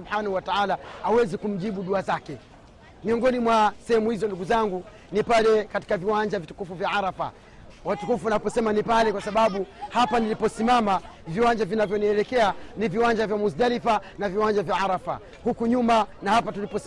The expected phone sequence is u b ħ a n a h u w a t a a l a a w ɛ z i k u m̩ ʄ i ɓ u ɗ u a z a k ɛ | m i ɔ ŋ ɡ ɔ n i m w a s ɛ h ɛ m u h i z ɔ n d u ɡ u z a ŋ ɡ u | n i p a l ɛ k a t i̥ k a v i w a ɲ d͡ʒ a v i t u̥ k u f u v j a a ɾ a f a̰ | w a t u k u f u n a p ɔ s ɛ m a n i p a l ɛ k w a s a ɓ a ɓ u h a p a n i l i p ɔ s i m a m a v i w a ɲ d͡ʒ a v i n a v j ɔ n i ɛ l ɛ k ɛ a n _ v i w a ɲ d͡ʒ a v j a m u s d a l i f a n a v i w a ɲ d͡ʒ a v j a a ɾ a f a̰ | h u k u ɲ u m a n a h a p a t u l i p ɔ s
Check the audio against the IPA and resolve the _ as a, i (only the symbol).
i